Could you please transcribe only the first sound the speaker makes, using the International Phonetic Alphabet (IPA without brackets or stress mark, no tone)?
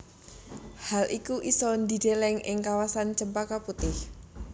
h